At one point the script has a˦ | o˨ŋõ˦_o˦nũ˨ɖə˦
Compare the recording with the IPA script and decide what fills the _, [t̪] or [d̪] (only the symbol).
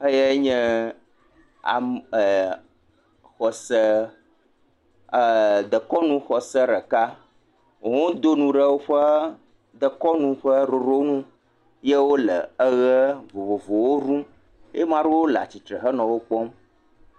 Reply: d̪